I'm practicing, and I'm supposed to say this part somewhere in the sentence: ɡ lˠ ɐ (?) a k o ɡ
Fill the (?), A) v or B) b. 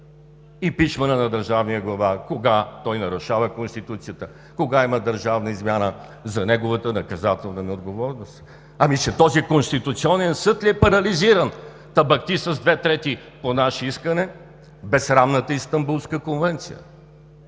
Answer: A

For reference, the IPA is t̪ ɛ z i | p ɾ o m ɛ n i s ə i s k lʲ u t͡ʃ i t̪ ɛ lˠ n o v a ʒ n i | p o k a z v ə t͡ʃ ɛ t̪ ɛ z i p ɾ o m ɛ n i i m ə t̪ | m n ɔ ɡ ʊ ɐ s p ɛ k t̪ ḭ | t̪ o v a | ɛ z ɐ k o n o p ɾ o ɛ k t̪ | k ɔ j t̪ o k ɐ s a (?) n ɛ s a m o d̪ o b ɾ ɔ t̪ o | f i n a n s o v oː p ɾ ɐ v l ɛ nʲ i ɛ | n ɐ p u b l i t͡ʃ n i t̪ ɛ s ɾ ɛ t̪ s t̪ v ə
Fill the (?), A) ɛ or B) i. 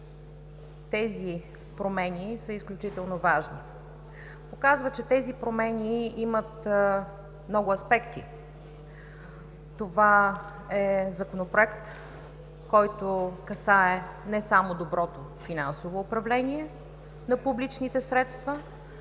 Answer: A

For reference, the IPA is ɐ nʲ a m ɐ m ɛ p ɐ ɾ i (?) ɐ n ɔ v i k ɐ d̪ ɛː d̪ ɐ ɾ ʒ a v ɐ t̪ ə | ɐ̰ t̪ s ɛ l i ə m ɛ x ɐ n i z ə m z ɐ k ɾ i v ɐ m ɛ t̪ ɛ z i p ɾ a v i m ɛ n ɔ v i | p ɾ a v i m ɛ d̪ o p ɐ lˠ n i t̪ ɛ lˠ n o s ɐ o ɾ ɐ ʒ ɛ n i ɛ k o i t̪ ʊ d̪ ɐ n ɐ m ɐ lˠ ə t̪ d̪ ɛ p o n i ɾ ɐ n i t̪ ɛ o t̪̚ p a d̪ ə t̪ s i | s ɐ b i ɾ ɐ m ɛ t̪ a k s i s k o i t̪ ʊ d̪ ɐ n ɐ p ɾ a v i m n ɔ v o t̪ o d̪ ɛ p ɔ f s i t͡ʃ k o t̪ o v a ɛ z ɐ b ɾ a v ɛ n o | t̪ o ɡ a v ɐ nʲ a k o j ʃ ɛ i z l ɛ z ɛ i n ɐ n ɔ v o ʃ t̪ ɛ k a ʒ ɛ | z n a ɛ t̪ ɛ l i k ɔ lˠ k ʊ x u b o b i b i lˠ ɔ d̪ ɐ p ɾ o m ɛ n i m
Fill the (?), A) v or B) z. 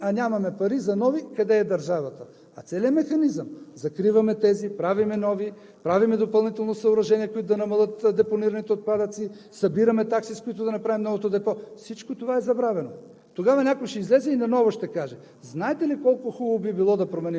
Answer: B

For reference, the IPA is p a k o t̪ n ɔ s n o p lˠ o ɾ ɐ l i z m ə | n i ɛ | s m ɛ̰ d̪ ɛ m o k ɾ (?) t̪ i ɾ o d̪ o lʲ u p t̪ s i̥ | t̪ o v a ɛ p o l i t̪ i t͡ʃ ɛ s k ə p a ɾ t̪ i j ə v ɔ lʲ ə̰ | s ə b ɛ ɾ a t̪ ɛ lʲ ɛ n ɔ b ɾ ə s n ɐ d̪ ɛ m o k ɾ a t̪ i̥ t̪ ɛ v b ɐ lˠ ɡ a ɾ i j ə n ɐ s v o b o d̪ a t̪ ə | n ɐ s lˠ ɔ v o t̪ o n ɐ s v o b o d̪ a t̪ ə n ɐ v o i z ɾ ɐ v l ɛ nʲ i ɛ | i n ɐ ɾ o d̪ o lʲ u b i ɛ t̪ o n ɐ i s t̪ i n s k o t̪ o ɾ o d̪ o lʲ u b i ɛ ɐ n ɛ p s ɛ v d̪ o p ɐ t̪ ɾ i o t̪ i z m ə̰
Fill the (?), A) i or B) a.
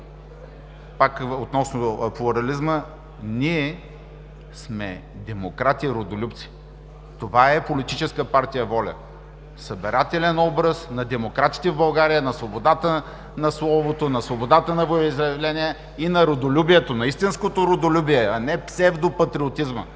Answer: B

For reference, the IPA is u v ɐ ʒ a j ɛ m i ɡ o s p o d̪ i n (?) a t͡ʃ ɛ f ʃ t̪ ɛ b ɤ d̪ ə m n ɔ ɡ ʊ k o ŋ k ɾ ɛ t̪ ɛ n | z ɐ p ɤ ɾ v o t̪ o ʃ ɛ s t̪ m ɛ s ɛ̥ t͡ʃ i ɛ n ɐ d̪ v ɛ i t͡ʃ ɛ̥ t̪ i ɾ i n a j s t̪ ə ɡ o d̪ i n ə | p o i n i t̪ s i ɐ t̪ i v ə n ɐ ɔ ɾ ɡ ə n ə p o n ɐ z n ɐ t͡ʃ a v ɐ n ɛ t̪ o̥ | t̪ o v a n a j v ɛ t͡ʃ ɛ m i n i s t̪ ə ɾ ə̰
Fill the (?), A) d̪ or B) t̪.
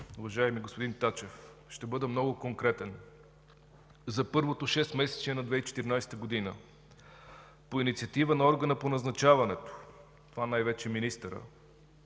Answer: B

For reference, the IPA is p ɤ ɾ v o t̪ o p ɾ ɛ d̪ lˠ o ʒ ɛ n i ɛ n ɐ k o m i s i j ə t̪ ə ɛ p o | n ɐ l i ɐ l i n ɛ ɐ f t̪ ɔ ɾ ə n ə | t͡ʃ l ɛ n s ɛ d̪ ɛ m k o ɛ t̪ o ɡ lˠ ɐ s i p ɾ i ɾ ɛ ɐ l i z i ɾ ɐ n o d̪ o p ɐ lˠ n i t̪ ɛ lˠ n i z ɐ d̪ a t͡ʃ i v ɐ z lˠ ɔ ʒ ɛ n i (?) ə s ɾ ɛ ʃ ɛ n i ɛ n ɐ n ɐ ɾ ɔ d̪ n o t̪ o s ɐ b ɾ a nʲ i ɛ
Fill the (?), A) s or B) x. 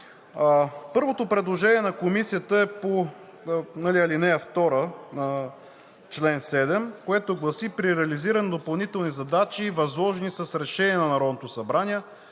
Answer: A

